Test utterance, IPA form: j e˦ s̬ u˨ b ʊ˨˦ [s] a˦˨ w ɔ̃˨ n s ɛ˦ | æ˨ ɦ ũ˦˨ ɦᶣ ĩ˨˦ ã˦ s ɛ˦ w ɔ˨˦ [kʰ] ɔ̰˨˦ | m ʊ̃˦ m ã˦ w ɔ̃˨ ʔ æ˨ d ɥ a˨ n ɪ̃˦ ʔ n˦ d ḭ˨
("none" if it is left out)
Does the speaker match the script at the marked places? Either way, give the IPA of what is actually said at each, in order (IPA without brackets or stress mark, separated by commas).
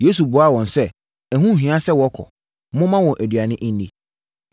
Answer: none, kʰ